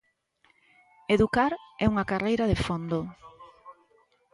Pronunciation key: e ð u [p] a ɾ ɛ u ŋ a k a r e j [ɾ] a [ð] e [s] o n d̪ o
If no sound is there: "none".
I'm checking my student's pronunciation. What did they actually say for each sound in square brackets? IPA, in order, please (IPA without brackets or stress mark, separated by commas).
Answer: k, ɾ, ð, f